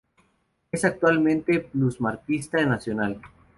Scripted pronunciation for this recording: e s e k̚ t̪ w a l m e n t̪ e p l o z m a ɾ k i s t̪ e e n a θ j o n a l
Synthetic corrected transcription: e s a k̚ t̪ w a l m ẽ n t̪ e p l u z m a ɾ k i s t̪ a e n a s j o n a l